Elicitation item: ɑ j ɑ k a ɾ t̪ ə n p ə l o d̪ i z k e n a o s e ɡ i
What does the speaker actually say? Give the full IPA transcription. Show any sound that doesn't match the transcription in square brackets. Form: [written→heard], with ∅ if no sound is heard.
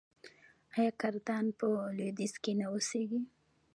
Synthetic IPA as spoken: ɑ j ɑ k a ɾ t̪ [ə→ɑ] n p ə l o d̪ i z k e n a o s e ɡ i